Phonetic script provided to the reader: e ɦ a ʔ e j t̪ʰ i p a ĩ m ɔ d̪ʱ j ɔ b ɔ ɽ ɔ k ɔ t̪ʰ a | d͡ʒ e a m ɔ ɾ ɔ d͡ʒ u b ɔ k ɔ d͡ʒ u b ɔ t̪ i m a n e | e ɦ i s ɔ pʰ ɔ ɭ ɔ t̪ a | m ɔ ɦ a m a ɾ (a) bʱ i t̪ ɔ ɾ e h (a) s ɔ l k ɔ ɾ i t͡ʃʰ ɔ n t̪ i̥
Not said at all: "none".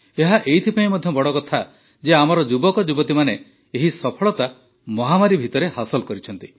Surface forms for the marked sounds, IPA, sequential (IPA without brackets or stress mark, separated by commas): i, a